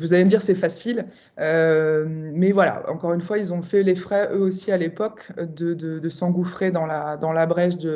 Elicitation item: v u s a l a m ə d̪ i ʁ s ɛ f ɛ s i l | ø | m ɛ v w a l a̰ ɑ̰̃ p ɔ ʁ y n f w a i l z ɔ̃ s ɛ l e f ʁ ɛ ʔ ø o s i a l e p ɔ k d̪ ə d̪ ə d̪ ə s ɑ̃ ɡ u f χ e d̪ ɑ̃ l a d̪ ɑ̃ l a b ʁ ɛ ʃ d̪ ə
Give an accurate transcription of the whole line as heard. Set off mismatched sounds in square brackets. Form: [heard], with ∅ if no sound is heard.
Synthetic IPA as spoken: v u [z] a l [e] m ə d̪ i ʁ s ɛ f [a] s i l | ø | m ɛ v w a l a̰ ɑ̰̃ [k] ɔ ʁ y n f w a i l z ɔ̃ [f] ɛ l e f [χ] ɛ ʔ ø o s i a l e p ɔ k d̪ ə d̪ ə d̪ ə s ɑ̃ ɡ u f χ e d̪ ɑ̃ l a d̪ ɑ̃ l a b ʁ ɛ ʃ d̪ ə